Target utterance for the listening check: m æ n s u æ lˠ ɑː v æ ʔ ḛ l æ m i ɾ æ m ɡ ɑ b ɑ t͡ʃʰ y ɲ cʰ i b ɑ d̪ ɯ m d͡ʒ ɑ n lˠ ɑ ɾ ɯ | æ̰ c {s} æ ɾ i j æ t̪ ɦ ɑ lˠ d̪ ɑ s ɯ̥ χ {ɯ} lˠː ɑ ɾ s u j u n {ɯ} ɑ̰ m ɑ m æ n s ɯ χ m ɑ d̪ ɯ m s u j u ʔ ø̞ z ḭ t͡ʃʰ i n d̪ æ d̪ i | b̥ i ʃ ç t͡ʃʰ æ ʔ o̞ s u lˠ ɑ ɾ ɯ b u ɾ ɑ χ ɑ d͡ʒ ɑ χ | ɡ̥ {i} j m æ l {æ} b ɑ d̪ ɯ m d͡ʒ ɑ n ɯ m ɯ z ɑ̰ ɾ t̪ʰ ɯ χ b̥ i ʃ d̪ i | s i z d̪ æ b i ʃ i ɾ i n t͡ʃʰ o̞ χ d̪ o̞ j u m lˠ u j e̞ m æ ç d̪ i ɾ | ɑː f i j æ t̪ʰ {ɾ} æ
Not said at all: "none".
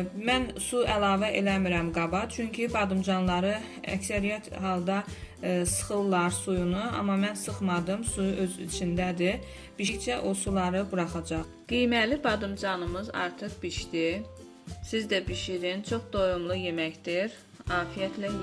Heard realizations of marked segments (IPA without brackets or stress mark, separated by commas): s, ɯ, u, i, i, l